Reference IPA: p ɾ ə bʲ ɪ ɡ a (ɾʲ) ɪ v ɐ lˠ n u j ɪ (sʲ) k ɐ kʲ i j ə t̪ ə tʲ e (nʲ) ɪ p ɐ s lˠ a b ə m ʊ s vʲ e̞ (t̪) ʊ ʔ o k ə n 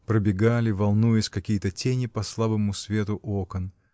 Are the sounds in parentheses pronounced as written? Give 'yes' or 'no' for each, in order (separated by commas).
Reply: no, yes, yes, yes